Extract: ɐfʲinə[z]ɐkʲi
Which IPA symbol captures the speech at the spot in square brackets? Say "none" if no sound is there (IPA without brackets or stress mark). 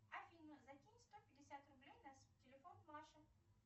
z